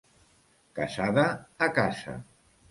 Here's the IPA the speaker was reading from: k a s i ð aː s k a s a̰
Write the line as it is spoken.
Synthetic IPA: k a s a ð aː k a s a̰